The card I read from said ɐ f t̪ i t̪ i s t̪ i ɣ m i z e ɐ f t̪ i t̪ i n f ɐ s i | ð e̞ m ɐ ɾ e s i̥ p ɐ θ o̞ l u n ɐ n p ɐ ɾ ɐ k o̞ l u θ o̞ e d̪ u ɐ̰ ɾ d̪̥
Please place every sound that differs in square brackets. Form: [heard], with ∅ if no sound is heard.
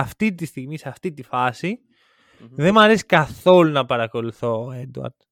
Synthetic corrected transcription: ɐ f t̪ i t̪ i s t̪ i ɣ m i [s] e ɐ f t̪ i t̪ i [∅] f ɐ s i | ð e̞ m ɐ ɾ e s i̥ [k] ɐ θ o̞ l u n ɐ [∅] p ɐ ɾ ɐ k o̞ l u θ o̞ e d̪ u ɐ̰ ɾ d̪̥